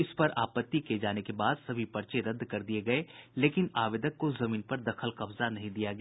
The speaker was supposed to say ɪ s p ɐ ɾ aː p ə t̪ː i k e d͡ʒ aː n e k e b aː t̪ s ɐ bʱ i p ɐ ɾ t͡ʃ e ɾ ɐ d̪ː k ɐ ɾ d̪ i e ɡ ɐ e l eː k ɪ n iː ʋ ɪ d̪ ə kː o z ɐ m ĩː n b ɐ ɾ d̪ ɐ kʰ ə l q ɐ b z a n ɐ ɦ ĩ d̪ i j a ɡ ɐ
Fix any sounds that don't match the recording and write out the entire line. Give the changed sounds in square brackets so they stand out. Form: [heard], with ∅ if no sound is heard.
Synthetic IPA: ɪ s p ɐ ɾ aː p ə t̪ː i k e d͡ʒ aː n e k e b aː [d̪] s ɐ bʱ i p ɐ ɾ t͡ʃ e ɾ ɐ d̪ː k ɐ ɾ d̪ i e ɡ ɐ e l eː k ɪ n [aː] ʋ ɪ d̪ ə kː o z ɐ m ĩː n [p] ɐ ɾ d̪ ɐ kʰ ə l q ɐ b z a n ɐ ɦ ĩ d̪ i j a ɡ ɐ